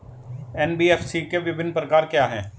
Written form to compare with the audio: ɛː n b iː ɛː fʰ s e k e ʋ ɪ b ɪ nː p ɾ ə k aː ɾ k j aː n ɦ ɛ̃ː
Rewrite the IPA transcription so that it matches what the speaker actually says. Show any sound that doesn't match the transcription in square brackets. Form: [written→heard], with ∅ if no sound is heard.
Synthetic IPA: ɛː n b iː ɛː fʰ s [e→i] k e ʋ ɪ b ɪ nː p ɾ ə k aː ɾ k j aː [n→∅] ɦ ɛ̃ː

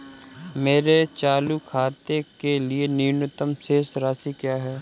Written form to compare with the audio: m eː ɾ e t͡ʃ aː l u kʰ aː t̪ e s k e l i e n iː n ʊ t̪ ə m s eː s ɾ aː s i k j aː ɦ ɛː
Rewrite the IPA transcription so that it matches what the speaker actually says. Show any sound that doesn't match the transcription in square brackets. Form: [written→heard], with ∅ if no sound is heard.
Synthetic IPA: m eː ɾ e t͡ʃ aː l u kʰ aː t̪ e [s→∅] k e l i e n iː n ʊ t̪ ə m s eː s ɾ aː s i k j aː ɦ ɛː

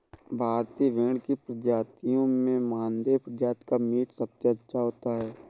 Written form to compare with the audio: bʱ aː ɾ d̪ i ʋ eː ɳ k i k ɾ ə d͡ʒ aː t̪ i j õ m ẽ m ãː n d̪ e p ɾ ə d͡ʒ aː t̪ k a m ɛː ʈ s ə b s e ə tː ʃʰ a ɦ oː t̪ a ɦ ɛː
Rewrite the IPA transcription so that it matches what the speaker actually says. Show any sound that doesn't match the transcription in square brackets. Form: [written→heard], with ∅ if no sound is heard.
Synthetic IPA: bʱ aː ɾ [d̪→t̪] i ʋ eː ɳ k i [k→p] ɾ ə d͡ʒ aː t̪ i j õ m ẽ m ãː n d̪ e p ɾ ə d͡ʒ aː t̪ k a m [ɛː→iː] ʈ s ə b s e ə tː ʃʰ a ɦ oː t̪ a ɦ ɛː

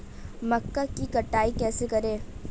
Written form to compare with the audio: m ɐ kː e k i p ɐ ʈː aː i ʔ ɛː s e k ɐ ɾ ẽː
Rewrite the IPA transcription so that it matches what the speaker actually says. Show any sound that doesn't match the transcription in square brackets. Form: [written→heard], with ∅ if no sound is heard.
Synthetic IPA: m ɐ kː [e→a] k i [p→k] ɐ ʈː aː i [ʔ→k] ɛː s e k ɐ ɾ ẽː

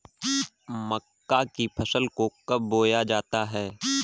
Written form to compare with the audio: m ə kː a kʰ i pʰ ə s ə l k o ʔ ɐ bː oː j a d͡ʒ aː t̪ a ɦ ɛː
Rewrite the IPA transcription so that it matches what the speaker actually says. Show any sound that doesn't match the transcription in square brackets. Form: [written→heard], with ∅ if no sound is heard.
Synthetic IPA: m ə kː a [kʰ→k] i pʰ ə s ə l k o [ʔ→k] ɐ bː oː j a d͡ʒ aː t̪ a ɦ ɛː

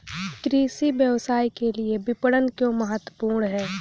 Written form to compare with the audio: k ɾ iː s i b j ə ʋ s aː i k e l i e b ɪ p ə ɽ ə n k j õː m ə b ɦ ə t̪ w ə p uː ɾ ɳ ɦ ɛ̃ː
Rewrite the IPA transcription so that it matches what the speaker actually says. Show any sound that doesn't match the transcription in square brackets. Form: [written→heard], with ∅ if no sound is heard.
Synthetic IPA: k ɾ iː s i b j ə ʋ s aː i k e l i e b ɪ p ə ɽ ə n k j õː m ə [b→∅] ɦ ə t̪ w ə p uː ɾ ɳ ɦ [ɛ̃ː→ɛː]

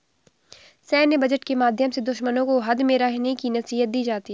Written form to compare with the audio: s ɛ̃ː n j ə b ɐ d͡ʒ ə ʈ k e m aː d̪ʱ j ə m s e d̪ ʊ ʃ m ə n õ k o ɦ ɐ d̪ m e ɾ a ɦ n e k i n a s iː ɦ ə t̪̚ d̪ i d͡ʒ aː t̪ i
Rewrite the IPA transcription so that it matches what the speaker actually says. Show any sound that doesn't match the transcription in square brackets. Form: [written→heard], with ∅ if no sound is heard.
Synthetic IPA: s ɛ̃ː n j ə b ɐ d͡ʒ ə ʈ k e m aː d̪ʱ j ə m s e d̪ ʊ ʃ m ə n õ k o ɦ ɐ d̪ m e ɾ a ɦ n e k i n [a→ɐ] s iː ɦ ə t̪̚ d̪ [i→iː] d͡ʒ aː t̪ i

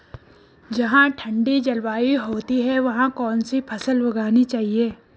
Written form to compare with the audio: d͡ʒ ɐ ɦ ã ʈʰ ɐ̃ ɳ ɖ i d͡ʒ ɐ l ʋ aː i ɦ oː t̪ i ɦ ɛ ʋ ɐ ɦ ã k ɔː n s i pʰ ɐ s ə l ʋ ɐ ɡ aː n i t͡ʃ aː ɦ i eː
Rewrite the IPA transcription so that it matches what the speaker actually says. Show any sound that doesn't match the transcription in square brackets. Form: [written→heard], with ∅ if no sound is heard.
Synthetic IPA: d͡ʒ ɐ ɦ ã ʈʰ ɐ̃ ɳ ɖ i d͡ʒ ɐ l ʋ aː i ɦ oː t̪ i ɦ ɛ ʋ ɐ ɦ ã k ɔː n s i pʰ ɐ s ə l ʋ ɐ ɡ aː n i t͡ʃ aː ɦ i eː

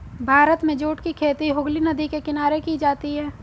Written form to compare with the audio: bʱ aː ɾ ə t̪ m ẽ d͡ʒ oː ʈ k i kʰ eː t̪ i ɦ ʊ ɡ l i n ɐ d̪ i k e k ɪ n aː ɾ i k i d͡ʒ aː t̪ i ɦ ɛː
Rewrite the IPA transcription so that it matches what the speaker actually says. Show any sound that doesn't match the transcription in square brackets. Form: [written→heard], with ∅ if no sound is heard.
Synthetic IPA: bʱ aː ɾ ə t̪ m ẽ d͡ʒ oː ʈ k i kʰ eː t̪ i ɦ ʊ ɡ l i n ɐ d̪ i k e k ɪ n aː ɾ [i→e] k i d͡ʒ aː t̪ i ɦ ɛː

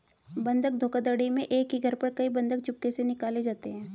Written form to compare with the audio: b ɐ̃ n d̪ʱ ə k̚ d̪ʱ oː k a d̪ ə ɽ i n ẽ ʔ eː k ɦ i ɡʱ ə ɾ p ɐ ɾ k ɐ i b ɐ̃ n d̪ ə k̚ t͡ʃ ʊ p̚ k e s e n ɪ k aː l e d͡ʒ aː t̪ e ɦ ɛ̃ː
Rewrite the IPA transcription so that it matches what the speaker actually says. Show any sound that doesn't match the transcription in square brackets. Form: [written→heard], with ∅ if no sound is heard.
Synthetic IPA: b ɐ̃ n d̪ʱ ə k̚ d̪ʱ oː k a d̪ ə ɽ i [n→m] ẽ ʔ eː k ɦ i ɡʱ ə ɾ p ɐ ɾ k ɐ i b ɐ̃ n d̪ ə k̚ t͡ʃ ʊ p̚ k e s e n ɪ k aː l e d͡ʒ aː t̪ e ɦ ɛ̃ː

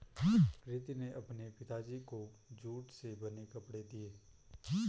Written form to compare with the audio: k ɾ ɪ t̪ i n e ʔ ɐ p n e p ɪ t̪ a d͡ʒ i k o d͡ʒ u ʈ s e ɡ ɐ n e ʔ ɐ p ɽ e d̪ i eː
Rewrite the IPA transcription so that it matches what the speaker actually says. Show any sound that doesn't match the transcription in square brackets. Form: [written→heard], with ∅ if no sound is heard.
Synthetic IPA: k ɾ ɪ t̪ i n e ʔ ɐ p n e p ɪ t̪ a d͡ʒ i k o d͡ʒ [u→uː] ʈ s e [ɡ→b] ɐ n e [ʔ→k] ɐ p ɽ e d̪ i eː

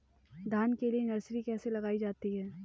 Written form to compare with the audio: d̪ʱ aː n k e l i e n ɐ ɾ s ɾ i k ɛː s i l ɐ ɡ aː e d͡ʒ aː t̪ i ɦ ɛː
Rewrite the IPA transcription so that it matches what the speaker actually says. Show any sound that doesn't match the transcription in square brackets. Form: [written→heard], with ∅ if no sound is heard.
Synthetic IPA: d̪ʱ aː n k e l i e n ɐ ɾ s ɾ i k ɛː s [i→e] l ɐ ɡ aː [e→i] d͡ʒ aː t̪ i ɦ ɛː

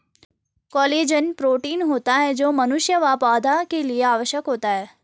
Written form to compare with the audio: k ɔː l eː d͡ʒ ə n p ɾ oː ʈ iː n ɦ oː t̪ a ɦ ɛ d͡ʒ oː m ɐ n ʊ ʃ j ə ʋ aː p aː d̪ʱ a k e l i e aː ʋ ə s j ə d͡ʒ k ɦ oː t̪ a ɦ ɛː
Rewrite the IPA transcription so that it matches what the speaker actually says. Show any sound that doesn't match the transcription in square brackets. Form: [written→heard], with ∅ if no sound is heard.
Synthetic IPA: k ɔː l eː d͡ʒ ə n p ɾ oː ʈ iː n ɦ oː t̪ a ɦ ɛ d͡ʒ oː m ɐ n ʊ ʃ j ə ʋ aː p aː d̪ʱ a k e l i e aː ʋ ə [s→ʃ] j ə [d͡ʒ→∅] k ɦ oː t̪ a ɦ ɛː

